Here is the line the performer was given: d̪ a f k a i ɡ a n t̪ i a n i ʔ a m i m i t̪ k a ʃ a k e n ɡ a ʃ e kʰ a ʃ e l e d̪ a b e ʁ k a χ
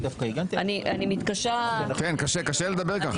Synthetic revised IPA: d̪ a f k a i ɡ a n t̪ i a n i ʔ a n i m i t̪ k a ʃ a k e n k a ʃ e k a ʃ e l e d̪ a b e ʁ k a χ

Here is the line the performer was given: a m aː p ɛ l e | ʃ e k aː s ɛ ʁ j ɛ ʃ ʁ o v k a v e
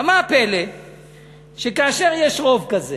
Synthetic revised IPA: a m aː p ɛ l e | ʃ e k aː ʃ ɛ ʁ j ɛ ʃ ʁ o v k a z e

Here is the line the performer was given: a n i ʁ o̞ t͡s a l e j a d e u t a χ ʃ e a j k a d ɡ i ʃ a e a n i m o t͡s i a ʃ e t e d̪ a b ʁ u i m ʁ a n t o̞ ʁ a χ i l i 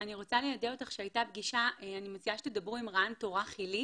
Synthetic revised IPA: a n i ʁ o̞ t͡s a l e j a d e o t a χ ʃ e a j t a b ɡ i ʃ a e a n i m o t͡s i a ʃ e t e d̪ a b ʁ u i m ʁ a n t o̞ ʁ a χ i l i

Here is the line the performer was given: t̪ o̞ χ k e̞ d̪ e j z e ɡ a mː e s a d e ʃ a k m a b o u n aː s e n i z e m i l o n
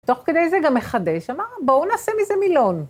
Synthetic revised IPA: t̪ o̞ χ k e̞ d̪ e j z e ɡ a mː e χ a d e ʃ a m a b o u n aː s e m i z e m i l o n

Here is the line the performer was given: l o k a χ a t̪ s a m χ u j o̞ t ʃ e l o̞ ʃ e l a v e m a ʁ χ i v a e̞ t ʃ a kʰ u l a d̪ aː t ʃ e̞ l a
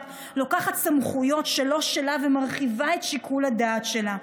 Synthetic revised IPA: l o k a χ a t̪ s a m χ u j o̞ t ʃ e l o̞ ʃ e l a v e m a ʁ χ i v a e̞ t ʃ i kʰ u l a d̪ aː t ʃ e̞ l a

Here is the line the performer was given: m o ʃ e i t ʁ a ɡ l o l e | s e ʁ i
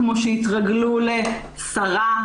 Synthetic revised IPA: m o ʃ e i t ʁ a ɡ l u l e | s a ʁ a

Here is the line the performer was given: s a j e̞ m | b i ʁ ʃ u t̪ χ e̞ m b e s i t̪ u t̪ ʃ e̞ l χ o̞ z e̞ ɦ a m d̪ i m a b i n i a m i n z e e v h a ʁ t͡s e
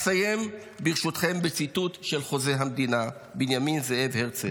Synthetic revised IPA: s a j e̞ m | b i ʁ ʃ u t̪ χ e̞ m b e t͡s i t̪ u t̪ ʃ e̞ l χ o̞ z e̞ ɦ a m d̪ i n a b i n j a m i n z e e v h e ʁ t͡s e

